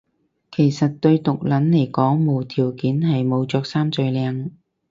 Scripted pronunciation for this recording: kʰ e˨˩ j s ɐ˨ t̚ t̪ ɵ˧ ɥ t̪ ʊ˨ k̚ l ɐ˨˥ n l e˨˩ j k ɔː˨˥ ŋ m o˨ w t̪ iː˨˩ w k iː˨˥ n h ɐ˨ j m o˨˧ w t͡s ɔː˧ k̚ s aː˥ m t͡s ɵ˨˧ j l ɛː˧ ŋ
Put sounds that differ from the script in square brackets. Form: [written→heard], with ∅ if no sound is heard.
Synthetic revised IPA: kʰ e˨˩ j s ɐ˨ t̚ t̪ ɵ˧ ɥ t̪ ʊ˨ k̚ l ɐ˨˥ n l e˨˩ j k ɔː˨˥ ŋ m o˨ w [t̪→t̪ʰ] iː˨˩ w k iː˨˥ n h ɐ˨ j m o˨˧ w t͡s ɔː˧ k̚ s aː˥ m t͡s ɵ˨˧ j l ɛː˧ ŋ